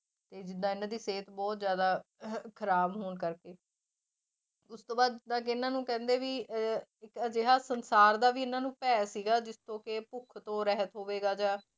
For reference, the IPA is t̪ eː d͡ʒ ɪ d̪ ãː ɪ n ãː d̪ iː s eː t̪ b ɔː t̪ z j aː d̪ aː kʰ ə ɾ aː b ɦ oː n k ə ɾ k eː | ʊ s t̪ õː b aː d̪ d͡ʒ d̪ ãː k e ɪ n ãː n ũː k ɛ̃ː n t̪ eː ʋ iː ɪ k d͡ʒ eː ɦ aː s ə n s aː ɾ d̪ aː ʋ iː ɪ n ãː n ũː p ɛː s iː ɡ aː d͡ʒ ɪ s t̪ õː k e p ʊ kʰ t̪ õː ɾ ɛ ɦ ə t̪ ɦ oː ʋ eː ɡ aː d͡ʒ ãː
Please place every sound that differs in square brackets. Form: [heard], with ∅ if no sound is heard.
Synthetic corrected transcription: t̪ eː d͡ʒ ɪ d̪ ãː ɪ n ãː d̪ iː s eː t̪ b ɔː t̪ z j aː d̪ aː kʰ ə ɾ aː b ɦ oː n k ə ɾ k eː | ʊ s t̪ õː b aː d̪ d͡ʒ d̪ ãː k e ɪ n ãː n ũː k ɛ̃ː n [d̪] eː ʋ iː ɪ k d͡ʒ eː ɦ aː s ə n s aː ɾ d̪ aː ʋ iː ɪ n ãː n ũː p ɛː s iː ɡ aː d͡ʒ ɪ s t̪ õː k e p ʊ kʰ t̪ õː ɾ ɛ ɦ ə t̪ ɦ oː ʋ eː ɡ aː d͡ʒ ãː